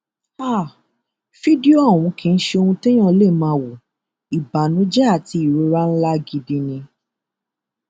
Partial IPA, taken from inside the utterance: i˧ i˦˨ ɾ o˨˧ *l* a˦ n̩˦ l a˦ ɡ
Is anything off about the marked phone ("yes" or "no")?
yes